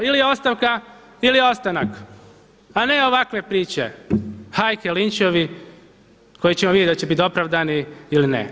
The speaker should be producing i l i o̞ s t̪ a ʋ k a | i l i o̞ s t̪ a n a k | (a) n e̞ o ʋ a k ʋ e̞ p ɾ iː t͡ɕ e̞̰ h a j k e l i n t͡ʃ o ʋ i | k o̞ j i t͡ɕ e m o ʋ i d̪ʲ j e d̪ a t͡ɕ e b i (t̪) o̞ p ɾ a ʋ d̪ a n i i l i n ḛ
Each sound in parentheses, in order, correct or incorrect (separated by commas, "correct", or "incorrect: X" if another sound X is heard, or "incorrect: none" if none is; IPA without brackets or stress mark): correct, correct